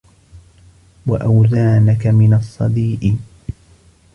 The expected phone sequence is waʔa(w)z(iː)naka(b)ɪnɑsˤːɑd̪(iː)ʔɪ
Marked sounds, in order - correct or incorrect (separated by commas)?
correct, incorrect, incorrect, correct